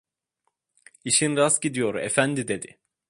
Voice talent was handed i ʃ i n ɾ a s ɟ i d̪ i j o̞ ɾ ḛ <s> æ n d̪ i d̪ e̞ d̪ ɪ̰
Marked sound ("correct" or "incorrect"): incorrect